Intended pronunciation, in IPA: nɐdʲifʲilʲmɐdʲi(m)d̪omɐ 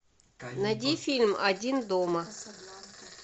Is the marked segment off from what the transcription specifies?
yes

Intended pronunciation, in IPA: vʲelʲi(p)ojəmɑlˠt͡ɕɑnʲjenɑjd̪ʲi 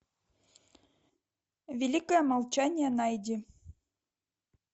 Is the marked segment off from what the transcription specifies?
yes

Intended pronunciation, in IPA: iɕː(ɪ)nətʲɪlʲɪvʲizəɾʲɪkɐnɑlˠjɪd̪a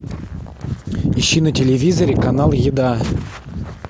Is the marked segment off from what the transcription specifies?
yes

